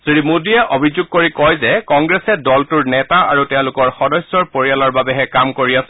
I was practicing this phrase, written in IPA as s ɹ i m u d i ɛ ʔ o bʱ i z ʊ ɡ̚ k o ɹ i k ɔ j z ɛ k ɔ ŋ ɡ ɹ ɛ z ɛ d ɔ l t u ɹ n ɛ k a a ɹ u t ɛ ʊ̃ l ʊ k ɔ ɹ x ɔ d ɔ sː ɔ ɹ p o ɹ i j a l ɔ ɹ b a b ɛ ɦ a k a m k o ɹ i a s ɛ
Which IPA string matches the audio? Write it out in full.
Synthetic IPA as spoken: s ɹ i m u d i ɛ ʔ o bʱ i z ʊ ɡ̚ k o ɹ i k ɔ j z ɛ k ɔ ŋ ɡ ɹ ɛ s ɛ d ɔ l t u ɹ n ɛ t a a ɹ u t ɛ ʊ̃ l ʊ k ɔ ɹ x ɔ d ɔ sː ɔ ɹ p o ɹ i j a l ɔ ɹ b a b ɛ ɦ ɛ k a m k o ɹ i a s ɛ